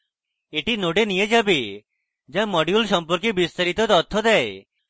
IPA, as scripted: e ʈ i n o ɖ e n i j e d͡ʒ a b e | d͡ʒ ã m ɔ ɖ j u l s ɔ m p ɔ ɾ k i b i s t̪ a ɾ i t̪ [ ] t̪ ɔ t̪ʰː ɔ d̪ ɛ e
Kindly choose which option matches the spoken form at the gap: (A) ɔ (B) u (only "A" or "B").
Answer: A